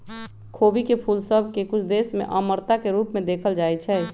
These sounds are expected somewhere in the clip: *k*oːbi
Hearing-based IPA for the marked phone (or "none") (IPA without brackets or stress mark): kʰ